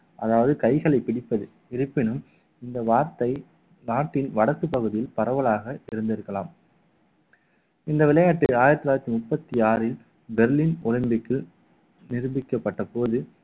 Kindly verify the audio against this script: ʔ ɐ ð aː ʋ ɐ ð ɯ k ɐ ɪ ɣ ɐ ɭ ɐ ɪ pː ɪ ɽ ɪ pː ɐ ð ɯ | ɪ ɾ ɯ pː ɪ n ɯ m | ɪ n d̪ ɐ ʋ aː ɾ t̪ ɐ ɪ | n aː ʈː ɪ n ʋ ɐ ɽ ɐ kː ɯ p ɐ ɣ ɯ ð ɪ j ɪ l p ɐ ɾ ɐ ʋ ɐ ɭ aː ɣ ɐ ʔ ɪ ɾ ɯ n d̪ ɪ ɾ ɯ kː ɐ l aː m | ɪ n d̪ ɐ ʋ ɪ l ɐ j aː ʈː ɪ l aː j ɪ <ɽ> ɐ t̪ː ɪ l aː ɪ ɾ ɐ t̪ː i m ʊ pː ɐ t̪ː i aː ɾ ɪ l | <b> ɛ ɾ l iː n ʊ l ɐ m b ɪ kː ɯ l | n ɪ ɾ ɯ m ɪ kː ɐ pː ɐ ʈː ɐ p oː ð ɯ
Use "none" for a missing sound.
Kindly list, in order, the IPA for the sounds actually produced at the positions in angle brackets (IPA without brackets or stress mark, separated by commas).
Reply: ɾ, b